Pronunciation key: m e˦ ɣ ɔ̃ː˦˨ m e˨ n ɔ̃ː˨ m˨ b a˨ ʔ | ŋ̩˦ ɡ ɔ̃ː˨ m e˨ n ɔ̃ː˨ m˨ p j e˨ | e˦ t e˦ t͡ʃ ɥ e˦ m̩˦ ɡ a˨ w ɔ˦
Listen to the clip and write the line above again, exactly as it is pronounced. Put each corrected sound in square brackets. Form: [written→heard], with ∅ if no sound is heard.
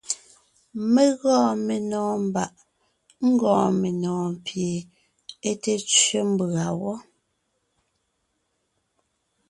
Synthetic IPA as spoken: m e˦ ɣ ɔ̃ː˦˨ m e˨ n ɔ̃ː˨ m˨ b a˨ ʔ | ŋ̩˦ ɡ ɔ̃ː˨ m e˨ n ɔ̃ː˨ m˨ p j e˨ | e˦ t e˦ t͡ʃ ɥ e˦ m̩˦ [ɡ→b] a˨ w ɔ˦